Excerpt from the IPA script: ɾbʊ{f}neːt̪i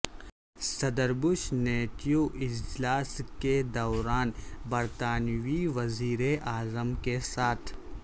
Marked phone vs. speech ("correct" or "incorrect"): incorrect